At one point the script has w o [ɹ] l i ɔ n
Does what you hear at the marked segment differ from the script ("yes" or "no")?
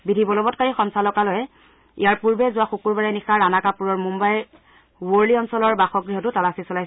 no